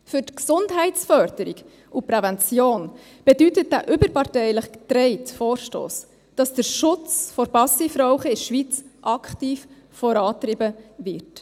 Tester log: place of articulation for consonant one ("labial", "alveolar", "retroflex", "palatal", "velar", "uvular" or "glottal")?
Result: labial